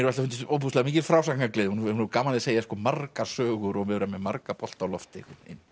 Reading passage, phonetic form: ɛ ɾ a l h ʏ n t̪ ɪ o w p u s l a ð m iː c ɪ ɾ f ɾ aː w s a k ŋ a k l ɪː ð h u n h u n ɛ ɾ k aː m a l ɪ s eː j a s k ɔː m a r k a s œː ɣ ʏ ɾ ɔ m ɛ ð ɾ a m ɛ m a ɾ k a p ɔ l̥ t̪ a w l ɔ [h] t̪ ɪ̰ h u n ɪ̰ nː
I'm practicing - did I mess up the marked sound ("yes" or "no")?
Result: yes